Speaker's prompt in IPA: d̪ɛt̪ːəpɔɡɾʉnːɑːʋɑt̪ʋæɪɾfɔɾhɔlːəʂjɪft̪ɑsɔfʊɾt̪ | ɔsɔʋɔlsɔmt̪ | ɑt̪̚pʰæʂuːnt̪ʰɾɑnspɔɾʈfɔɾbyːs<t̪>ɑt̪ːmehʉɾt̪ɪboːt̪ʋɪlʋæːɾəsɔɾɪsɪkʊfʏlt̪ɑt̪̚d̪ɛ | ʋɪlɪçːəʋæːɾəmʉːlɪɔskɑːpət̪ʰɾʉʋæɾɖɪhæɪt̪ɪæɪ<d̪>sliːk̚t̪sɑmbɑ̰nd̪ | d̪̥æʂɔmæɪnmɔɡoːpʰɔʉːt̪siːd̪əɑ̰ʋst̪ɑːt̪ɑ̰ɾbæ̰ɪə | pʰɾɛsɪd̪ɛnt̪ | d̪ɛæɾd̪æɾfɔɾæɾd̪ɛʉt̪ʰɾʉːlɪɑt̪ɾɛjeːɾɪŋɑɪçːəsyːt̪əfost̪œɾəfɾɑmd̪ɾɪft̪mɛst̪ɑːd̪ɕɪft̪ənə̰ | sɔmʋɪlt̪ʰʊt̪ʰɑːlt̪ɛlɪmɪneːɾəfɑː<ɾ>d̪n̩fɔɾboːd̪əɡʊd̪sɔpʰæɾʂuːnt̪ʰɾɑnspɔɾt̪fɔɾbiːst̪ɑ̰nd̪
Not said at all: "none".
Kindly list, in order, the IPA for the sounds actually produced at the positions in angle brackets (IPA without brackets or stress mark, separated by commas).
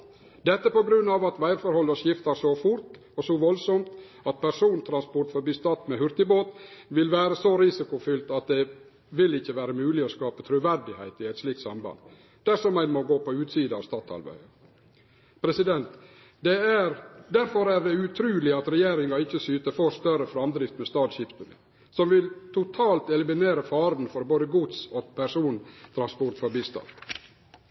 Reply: t̪, t̪, ɾ